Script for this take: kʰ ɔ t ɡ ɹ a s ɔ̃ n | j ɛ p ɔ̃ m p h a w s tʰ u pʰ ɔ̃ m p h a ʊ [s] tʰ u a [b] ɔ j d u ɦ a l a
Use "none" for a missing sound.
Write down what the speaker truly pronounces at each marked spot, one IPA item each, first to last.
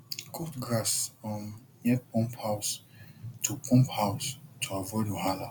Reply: s, v

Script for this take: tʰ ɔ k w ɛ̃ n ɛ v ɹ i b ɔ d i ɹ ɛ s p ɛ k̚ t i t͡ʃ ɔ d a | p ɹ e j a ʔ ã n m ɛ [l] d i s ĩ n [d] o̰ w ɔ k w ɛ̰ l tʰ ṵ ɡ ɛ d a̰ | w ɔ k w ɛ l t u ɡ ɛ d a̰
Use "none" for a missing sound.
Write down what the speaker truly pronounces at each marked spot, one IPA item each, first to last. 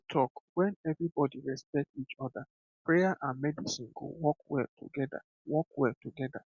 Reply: none, ɡ

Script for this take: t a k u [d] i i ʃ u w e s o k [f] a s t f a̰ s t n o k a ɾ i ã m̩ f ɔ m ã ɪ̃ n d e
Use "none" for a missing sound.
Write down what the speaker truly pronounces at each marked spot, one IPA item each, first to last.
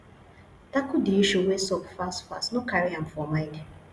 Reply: d, f

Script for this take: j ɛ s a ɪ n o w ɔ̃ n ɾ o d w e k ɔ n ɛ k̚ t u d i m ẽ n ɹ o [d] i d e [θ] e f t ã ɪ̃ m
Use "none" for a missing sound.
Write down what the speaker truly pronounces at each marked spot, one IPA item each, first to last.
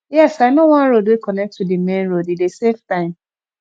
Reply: d, s

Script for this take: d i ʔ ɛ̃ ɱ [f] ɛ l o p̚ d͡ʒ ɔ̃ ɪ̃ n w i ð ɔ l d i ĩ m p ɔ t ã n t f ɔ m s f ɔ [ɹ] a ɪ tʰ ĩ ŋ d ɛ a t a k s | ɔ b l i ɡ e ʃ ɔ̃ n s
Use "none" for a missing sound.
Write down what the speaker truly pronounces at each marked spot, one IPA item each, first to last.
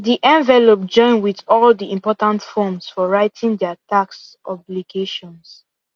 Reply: v, ɹ

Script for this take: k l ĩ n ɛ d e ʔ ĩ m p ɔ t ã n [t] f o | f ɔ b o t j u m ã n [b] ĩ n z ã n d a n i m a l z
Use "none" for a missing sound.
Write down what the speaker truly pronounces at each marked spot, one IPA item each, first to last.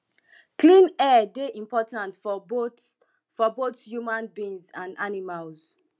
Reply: t, b

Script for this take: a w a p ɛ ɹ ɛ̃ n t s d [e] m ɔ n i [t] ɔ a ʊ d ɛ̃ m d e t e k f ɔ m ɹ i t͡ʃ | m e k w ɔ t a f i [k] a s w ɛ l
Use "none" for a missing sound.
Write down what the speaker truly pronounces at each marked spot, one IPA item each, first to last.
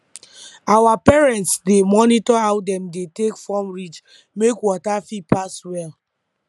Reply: e, t, p

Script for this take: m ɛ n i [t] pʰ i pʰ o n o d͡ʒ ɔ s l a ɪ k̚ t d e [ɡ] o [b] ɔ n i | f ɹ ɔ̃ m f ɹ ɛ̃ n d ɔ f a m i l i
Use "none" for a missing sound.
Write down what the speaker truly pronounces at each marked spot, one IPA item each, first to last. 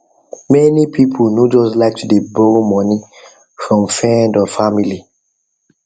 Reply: none, b, m

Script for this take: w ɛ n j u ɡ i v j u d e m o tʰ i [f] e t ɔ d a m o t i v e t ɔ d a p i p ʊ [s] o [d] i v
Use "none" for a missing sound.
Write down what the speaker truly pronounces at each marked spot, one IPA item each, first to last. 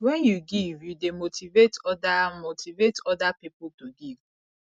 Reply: v, t, ɡ

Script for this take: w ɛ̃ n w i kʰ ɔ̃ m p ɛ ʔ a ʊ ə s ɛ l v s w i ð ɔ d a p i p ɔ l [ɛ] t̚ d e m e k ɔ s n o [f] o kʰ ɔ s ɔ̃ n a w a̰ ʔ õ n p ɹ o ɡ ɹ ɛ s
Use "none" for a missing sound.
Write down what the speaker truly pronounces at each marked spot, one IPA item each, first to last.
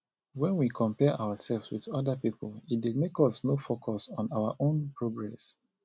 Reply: i, f

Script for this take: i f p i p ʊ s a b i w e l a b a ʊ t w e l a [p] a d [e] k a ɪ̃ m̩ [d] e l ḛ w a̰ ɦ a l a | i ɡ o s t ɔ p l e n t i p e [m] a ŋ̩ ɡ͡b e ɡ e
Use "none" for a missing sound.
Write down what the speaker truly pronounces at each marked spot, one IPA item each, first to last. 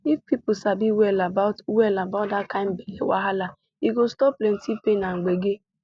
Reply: b, a, b, n

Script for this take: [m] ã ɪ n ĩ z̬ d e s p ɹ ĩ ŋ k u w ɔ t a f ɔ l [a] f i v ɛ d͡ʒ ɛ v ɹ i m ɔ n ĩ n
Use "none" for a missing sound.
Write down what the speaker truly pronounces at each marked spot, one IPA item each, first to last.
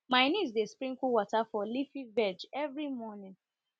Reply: m, i

